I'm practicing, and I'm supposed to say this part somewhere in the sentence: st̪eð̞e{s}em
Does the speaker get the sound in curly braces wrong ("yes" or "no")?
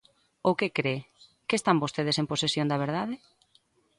no